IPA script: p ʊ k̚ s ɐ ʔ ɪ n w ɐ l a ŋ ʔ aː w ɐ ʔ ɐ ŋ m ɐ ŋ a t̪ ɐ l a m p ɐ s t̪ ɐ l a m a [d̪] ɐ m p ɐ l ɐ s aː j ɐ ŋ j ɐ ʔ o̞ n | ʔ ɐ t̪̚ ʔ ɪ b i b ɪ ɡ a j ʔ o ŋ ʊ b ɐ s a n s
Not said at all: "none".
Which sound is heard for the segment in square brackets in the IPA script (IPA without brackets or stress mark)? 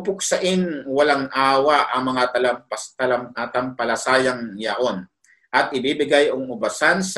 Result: t̪